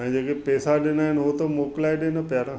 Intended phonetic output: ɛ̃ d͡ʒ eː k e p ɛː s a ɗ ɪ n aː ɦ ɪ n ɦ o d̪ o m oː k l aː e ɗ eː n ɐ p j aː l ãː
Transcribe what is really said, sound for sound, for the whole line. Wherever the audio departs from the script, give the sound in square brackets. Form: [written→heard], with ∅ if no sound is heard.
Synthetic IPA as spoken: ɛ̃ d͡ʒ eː k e p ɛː s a ɗ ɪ n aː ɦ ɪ n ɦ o [d̪→t̪] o m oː k l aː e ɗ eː n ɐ p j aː [l→ɾ] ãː

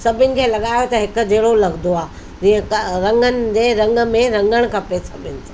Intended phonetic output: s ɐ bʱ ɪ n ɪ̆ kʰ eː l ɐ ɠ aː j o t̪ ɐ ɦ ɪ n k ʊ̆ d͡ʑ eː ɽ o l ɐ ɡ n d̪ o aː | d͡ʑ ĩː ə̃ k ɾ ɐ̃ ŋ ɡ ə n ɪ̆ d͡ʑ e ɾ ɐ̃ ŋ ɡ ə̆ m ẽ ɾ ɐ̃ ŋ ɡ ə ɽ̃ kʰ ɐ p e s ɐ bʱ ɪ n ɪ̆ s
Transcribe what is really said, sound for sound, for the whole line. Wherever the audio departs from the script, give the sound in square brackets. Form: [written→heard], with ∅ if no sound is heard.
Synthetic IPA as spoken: s ɐ bʱ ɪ n ɪ̆ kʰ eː l ɐ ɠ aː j o t̪ ɐ ɦ ɪ [n→∅] k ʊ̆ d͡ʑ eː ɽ o l ɐ ɡ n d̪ o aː | d͡ʑ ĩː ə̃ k ɾ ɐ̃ ŋ ɡ ə n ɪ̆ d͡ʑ e ɾ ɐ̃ ŋ ɡ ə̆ m ẽ ɾ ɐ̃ ŋ ɡ ə ɽ̃ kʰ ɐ p e s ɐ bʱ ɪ n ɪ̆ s

